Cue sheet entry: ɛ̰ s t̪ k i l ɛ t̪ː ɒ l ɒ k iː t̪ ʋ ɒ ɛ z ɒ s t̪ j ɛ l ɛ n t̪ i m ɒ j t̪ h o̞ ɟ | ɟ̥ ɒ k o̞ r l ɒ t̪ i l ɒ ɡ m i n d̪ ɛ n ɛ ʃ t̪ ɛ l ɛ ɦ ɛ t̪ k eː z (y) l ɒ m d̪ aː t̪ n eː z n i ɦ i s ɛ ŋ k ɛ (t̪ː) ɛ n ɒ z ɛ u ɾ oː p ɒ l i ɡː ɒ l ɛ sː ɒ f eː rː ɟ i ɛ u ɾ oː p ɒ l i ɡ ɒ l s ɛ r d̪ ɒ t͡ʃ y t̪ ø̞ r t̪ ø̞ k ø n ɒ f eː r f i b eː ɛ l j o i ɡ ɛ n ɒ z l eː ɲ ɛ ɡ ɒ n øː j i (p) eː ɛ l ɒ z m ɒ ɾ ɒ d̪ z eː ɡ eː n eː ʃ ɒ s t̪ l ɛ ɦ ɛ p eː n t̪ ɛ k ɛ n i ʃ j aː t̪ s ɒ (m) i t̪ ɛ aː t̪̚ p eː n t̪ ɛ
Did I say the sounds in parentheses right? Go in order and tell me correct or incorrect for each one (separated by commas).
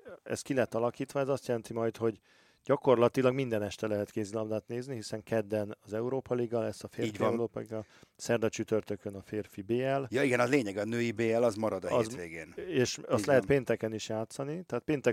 incorrect, incorrect, incorrect, incorrect